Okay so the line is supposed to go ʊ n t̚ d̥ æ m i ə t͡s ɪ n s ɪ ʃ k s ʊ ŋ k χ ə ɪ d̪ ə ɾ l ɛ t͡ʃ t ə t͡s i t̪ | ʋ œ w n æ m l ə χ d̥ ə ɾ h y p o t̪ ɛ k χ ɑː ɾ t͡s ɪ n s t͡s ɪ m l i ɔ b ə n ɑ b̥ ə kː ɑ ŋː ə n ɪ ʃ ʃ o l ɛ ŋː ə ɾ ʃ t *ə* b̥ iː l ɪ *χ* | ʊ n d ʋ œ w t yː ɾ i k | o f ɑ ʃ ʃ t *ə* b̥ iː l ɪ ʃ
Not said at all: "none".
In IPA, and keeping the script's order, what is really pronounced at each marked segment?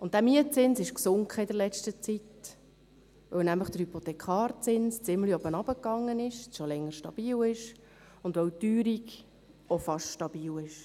ɑ, ʃ, ɑ

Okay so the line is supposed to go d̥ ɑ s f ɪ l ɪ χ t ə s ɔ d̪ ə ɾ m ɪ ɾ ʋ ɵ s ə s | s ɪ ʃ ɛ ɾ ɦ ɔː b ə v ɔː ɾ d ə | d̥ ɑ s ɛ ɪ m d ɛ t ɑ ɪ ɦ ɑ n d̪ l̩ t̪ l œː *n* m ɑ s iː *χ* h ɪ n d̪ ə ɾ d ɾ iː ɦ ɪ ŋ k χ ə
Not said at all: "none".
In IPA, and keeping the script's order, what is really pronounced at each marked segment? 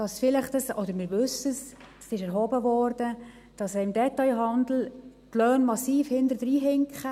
n, f

